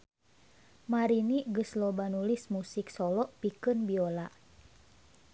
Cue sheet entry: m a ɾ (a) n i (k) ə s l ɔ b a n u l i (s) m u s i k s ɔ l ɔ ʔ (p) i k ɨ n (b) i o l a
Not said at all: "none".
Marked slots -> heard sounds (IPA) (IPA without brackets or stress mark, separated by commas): i, ɡ, s, p, b